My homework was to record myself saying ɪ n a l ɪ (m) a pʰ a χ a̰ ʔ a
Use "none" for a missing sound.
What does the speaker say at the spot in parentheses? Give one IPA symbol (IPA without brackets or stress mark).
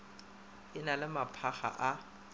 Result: m